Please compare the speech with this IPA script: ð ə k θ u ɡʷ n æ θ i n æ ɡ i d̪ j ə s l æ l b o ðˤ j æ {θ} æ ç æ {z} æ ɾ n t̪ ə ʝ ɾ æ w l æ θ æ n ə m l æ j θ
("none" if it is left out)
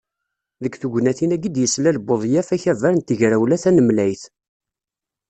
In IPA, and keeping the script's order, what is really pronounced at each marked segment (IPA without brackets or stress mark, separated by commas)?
f, v